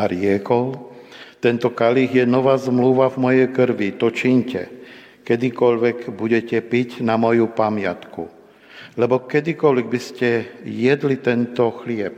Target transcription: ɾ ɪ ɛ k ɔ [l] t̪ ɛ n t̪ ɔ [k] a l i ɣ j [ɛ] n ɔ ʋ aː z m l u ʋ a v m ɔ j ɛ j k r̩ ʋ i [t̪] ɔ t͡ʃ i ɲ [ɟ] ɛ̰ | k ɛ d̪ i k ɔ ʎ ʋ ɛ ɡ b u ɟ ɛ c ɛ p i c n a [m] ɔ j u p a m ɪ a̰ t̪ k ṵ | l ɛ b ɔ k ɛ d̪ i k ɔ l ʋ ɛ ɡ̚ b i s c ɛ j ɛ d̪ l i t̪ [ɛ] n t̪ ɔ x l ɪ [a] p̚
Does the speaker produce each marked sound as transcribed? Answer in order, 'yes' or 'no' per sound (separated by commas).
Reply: yes, yes, yes, yes, no, yes, yes, no